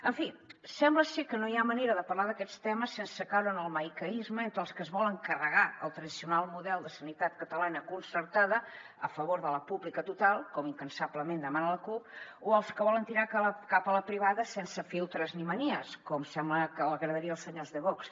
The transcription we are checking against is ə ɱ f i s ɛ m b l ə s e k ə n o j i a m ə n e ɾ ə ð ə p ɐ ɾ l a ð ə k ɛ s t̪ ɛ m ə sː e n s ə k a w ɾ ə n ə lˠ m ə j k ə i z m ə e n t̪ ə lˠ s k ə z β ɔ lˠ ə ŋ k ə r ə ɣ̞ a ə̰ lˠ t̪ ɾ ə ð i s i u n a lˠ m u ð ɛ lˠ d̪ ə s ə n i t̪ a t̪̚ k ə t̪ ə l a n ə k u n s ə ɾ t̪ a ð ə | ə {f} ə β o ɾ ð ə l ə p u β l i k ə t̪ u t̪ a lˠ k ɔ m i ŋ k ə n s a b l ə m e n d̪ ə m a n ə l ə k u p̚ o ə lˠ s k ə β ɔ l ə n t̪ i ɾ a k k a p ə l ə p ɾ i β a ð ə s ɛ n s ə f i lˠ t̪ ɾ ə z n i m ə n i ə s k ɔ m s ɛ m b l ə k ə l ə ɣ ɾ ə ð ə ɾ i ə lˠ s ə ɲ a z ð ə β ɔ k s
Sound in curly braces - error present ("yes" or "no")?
no